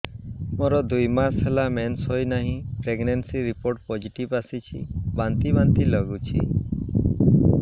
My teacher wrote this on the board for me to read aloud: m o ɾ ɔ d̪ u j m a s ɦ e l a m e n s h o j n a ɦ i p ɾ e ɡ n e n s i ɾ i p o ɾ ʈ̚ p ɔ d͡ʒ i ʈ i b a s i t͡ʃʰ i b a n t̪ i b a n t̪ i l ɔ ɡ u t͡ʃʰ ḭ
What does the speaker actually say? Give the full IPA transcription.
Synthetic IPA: m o ɾ ɔ d̪ u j m a s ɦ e l a m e n s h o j n a ɦ ĩ p ɾ e ɡ n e n s i ɾ i p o ɾ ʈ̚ p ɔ d͡ʒ i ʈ i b a s i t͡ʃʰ i b a n t̪ i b a n t̪ i l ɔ ɡ u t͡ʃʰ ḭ